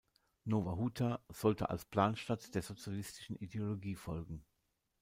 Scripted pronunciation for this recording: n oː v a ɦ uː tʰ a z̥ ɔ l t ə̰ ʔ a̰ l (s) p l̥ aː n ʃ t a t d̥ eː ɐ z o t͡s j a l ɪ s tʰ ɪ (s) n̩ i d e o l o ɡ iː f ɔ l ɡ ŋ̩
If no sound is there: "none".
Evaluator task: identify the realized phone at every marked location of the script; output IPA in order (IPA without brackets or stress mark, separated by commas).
s, ʃ